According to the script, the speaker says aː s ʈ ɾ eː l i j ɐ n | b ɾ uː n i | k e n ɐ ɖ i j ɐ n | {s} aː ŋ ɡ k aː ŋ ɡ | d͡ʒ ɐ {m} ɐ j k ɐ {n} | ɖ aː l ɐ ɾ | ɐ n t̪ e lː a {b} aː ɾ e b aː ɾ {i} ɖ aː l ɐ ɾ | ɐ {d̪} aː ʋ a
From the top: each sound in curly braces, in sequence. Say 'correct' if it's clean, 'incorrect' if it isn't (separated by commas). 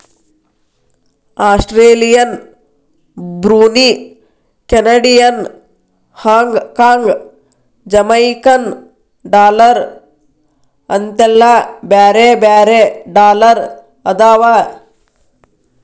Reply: incorrect, correct, correct, correct, incorrect, correct